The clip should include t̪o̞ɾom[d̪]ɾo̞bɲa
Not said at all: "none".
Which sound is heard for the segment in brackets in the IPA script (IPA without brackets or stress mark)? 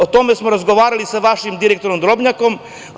d̪